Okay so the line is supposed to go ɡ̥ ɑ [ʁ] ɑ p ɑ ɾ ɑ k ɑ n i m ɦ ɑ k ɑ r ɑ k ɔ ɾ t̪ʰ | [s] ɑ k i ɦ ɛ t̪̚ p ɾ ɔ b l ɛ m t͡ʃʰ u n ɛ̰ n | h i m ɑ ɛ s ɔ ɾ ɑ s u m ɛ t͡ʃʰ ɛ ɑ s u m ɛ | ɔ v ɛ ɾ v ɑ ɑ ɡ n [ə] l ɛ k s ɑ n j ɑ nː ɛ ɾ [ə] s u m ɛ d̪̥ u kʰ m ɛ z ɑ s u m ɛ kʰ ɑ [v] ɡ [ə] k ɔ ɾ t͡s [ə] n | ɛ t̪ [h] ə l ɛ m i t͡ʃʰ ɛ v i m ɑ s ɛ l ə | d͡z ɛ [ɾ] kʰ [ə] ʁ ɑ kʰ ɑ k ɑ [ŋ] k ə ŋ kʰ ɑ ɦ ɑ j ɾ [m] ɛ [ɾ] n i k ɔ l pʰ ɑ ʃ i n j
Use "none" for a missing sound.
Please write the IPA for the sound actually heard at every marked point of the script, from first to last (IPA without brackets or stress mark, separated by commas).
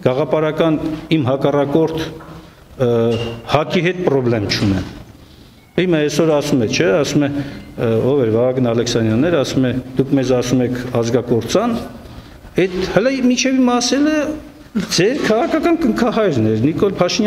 ʁ, h, ɑ, ɑ, z, ɑ, ɑ, h, ɾ, ɑ, n, n, ɾ